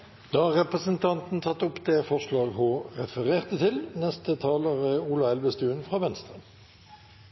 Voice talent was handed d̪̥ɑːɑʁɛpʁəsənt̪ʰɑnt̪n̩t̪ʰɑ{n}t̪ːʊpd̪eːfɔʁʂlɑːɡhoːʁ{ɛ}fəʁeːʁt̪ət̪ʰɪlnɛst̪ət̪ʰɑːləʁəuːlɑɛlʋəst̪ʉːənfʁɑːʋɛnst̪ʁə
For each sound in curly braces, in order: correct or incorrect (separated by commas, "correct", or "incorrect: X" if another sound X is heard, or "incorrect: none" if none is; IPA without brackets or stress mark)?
incorrect: none, correct